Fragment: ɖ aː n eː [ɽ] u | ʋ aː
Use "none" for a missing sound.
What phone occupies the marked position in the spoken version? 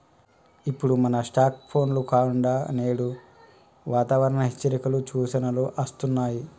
ɽ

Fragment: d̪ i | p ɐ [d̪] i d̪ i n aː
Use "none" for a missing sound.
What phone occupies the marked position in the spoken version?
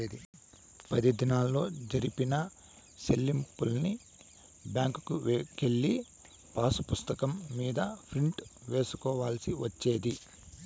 d̪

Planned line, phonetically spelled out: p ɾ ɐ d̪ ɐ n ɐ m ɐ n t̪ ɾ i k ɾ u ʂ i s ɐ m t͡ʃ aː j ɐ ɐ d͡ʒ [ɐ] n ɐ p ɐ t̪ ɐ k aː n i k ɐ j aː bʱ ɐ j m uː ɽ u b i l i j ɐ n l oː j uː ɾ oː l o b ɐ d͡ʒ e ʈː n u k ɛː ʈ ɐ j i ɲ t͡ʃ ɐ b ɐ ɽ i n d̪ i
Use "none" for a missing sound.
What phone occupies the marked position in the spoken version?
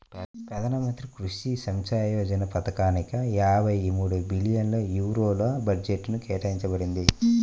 ɐ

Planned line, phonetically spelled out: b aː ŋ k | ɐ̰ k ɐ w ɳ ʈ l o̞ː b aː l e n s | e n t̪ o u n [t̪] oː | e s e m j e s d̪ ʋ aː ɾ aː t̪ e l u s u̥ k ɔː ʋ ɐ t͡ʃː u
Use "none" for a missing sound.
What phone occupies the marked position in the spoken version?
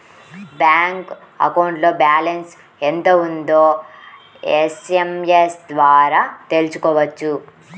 d̪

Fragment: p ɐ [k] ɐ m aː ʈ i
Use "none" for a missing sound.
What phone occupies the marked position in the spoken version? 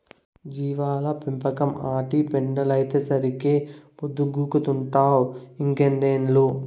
k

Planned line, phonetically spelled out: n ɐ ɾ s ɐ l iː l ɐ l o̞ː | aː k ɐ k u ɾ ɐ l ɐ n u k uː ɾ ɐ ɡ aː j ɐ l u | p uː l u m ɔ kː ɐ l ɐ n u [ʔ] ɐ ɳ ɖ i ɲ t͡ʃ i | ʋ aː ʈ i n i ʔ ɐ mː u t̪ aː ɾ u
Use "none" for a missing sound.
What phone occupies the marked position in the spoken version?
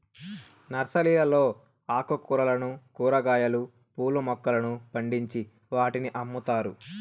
p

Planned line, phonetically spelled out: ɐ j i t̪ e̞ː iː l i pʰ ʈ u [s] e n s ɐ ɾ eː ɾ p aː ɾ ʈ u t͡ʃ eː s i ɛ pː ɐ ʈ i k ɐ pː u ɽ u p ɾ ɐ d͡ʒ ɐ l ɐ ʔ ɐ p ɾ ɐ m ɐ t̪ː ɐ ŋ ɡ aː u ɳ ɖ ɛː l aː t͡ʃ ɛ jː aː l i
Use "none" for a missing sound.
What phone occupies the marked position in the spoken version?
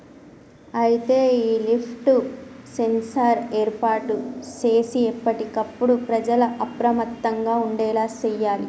s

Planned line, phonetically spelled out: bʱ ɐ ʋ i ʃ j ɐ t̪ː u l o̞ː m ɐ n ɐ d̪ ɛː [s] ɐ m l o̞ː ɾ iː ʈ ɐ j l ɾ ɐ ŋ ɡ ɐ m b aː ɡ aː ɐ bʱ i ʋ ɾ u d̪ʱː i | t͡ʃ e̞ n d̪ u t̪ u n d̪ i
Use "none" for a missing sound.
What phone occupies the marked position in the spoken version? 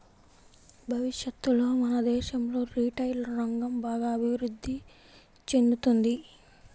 ʃ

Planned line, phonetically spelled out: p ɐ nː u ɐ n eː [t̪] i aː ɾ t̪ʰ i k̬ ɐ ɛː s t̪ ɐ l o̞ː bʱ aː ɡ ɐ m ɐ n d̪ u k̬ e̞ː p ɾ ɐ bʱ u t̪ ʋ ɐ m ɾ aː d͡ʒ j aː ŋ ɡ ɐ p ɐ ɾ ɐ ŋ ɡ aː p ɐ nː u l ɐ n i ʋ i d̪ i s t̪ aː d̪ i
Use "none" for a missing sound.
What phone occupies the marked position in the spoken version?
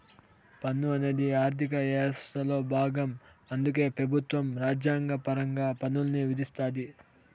d̪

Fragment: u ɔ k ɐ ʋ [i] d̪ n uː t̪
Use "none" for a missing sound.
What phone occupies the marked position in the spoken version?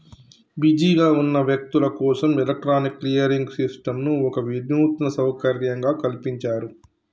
i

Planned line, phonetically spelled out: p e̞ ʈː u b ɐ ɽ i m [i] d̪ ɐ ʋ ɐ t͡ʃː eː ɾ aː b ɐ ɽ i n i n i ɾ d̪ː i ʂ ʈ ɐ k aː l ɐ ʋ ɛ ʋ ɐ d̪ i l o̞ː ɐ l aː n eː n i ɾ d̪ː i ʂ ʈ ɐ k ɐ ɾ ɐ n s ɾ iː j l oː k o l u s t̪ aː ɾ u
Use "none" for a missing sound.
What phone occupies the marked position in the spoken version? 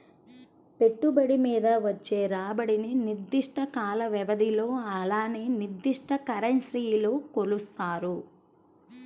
iː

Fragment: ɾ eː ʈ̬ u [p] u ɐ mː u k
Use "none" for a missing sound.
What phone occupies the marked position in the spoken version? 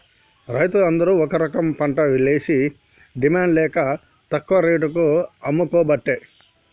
k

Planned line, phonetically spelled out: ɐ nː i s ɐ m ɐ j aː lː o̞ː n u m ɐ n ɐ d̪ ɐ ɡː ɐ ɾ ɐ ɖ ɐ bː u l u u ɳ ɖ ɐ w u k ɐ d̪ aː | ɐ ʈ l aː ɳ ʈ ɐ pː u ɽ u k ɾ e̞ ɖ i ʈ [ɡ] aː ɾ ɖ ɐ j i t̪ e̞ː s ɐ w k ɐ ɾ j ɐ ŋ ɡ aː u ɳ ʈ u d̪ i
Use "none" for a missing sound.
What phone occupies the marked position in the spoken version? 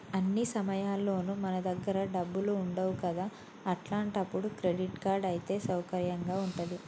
k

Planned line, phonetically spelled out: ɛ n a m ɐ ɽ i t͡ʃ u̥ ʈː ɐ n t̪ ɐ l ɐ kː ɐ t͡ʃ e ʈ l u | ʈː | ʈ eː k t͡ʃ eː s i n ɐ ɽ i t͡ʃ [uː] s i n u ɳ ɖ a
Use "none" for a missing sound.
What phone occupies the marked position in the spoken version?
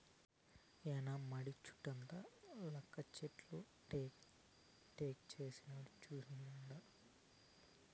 uː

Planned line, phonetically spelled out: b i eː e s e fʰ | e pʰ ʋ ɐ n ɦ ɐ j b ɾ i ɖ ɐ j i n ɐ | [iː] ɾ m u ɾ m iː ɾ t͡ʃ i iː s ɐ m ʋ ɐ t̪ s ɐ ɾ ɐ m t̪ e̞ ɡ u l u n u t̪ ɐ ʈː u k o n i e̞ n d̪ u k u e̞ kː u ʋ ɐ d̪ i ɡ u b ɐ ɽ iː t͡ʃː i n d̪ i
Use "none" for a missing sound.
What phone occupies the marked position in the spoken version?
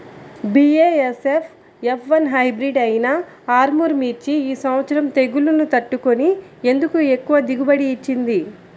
aː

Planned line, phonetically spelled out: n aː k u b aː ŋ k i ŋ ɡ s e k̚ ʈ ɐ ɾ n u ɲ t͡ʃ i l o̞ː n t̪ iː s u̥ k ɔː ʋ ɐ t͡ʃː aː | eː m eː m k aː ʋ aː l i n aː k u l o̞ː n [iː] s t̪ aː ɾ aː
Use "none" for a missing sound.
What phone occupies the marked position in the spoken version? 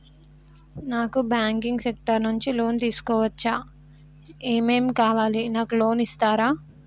i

